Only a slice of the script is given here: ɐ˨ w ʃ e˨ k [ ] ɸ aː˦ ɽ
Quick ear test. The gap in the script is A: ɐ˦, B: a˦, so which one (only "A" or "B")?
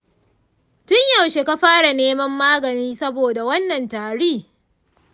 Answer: B